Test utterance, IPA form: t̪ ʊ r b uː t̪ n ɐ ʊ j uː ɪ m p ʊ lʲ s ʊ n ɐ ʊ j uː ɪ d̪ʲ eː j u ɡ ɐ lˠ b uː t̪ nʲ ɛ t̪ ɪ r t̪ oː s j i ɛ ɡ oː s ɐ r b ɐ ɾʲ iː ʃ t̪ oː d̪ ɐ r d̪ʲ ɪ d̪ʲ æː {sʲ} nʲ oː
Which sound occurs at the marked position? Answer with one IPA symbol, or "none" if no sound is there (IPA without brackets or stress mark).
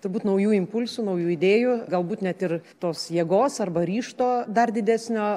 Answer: sʲ